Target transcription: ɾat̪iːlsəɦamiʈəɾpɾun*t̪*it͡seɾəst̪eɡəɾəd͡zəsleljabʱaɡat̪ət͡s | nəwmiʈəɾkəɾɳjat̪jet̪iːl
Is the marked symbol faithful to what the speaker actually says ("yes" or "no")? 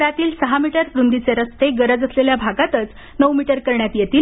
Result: no